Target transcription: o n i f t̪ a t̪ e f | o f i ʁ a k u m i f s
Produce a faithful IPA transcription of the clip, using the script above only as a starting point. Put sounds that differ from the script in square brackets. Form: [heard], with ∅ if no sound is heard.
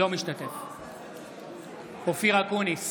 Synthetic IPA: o [m] i [ʃ] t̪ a t̪ e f | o f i ʁ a k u [n] i [∅] s